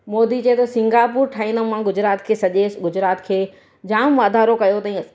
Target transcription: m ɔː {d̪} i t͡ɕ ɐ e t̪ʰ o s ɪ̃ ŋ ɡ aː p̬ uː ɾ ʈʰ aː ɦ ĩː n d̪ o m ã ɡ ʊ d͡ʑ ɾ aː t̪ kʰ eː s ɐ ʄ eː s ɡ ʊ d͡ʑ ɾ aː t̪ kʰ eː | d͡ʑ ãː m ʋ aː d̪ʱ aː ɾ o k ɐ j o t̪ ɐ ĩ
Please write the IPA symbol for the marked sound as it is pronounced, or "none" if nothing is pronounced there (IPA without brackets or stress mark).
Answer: d̪